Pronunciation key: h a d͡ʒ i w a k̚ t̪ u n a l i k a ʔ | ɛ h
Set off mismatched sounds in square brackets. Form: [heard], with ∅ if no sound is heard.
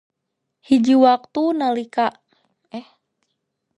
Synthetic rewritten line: h [i] d͡ʒ i w a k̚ t̪ u n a l i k a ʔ | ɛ h